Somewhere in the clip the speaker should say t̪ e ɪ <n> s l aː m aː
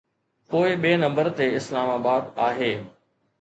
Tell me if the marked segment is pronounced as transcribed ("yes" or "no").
no